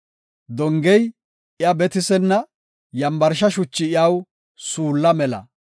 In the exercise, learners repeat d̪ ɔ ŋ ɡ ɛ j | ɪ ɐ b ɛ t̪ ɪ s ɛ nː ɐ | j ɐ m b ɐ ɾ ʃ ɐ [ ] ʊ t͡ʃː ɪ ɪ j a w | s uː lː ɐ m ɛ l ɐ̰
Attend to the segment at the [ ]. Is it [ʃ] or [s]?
ʃ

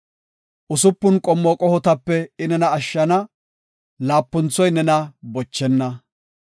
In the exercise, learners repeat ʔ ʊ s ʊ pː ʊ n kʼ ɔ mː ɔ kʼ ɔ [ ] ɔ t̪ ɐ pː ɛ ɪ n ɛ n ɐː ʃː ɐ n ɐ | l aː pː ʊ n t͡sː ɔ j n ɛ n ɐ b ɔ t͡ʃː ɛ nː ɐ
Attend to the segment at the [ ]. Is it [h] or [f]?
h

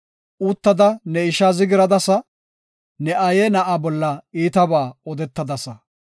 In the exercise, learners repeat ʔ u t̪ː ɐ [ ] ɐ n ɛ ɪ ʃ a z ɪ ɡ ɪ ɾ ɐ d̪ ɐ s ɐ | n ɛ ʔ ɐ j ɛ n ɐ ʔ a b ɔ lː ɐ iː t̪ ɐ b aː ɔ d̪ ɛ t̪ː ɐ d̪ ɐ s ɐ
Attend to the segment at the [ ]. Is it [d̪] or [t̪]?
d̪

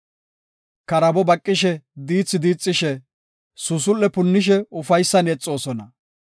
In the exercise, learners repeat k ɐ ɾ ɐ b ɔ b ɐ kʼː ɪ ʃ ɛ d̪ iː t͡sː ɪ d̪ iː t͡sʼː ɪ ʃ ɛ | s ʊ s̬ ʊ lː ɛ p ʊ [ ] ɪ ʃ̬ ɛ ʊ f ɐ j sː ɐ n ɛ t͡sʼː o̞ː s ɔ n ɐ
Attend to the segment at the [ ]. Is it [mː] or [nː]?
nː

